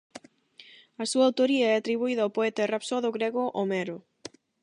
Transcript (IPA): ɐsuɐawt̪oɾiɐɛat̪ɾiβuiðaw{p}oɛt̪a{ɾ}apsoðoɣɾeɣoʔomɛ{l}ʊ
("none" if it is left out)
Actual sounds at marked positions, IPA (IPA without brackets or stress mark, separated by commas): p, r, ɾ